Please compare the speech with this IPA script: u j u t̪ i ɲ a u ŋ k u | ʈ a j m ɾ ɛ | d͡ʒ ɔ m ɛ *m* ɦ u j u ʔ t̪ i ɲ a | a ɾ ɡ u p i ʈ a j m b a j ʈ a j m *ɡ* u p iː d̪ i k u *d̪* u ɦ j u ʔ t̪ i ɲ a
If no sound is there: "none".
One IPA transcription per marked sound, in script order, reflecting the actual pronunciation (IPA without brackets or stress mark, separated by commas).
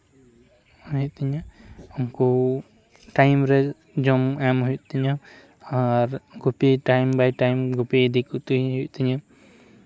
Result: m, ɡ, t̪